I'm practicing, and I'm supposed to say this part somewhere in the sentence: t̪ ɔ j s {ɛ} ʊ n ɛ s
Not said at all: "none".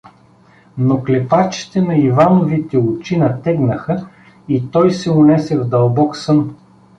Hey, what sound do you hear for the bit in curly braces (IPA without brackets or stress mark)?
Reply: ɛ